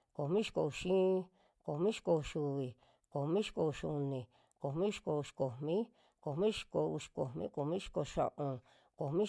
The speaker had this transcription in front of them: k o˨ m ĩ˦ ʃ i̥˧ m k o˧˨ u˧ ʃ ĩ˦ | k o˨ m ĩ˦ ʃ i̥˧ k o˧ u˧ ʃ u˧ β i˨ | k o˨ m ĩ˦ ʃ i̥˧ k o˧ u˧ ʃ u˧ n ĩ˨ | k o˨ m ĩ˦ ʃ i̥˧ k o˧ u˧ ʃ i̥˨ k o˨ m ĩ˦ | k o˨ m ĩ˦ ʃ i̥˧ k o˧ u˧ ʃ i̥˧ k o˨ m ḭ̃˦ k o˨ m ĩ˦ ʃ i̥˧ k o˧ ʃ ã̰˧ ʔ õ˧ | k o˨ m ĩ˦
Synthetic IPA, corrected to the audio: k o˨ m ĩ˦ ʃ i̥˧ k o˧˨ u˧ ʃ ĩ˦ | k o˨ m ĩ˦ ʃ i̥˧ k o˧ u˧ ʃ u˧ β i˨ | k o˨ m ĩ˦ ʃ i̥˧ k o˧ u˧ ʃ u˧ n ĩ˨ | k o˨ m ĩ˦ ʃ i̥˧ k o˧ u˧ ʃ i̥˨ k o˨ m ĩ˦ | k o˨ m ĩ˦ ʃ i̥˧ k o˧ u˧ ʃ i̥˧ k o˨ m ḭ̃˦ k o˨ m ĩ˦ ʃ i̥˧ k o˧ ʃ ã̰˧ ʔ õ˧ | k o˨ m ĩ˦